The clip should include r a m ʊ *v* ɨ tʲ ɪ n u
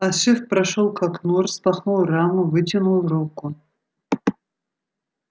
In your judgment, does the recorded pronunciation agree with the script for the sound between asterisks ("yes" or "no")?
yes